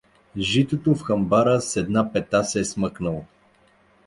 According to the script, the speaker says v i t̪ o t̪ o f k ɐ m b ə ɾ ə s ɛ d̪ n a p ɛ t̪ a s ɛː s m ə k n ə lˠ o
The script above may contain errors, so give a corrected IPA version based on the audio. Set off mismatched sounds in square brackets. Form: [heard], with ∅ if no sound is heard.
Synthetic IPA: [ʒ] i t̪ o t̪ o f [x] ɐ m b [a] ɾ ə s ɛ d̪ n a p ɛ t̪ a s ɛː s m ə k n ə lˠ o